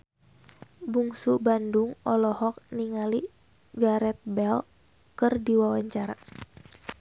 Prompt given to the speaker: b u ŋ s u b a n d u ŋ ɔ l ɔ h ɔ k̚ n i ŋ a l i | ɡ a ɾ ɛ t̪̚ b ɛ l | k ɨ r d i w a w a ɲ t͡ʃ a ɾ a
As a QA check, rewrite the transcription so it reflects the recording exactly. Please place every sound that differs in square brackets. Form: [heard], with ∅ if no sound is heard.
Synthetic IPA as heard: b u ŋ s u b a n d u ŋ ɔ l ɔ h ɔ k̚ n i ŋ a l i | ɡ a ɾ ɛ t̪̚ b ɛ l | k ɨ r d i w a w a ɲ t͡ʃ a ɾ a